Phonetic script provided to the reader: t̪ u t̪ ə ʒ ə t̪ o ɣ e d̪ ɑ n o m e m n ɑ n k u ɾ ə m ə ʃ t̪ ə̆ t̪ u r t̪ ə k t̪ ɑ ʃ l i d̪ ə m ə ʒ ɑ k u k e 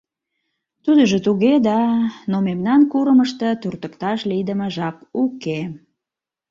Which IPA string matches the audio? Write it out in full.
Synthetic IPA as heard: t̪ u d̪ ə ʒ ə t̪ u ɣ e d̪ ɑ n o m e m n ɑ n k u ɾ ə m ə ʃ t̪ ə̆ t̪ u r t̪ ə k t̪ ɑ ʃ l i d̪ ə m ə ʒ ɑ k u k e